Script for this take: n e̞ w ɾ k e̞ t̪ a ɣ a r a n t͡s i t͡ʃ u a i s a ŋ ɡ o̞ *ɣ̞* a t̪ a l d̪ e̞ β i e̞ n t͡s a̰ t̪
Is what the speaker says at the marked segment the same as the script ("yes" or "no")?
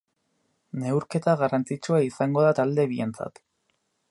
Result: no